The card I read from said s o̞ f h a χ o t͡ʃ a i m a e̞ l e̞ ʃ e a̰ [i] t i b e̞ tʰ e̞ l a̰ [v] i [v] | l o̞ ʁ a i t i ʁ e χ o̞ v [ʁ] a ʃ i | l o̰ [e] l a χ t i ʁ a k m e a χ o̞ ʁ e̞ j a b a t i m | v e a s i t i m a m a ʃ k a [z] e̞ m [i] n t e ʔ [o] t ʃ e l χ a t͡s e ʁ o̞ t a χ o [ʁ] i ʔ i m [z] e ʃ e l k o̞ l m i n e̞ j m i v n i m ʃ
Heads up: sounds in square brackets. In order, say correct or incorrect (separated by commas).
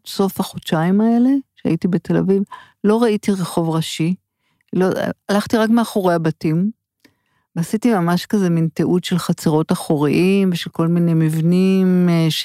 correct, correct, correct, correct, incorrect, correct, correct, incorrect, correct, incorrect